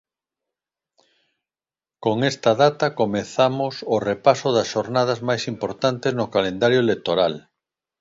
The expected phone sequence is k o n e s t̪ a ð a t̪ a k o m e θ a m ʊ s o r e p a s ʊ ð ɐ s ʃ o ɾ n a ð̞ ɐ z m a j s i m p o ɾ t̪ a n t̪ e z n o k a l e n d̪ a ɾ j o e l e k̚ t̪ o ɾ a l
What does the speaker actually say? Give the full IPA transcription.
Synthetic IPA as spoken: k o ŋ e s t̪ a ð a t̪ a k o m e θ a m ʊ s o r e p a s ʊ ð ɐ s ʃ o ɾ n a ð̞ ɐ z m a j s i m p o ɾ t̪ a n t̪ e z n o k a l e n d̪ a ɾ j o e l e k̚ t̪ o ɾ a l